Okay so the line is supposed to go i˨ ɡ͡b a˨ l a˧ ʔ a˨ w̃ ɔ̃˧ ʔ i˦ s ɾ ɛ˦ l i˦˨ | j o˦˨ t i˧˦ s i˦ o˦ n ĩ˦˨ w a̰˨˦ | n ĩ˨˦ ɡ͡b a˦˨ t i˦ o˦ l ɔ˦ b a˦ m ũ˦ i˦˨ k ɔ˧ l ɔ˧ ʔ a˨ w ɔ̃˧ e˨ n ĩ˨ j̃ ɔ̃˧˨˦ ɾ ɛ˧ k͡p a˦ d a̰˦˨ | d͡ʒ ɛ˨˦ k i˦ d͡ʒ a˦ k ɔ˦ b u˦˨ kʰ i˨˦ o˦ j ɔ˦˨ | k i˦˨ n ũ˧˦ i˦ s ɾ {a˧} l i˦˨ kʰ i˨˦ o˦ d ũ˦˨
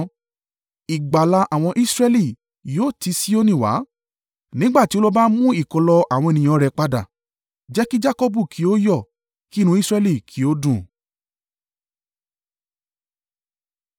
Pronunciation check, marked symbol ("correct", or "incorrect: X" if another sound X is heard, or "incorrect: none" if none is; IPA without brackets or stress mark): incorrect: ɛ˧